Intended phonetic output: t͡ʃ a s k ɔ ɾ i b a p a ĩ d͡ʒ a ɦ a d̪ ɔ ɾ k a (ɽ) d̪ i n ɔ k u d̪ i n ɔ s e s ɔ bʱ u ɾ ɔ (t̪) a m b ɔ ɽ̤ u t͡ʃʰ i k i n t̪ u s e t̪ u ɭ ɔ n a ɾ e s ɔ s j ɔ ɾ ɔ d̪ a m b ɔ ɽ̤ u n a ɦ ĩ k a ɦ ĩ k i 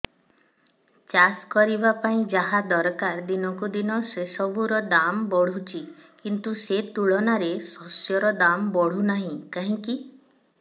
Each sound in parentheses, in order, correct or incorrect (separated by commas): incorrect, incorrect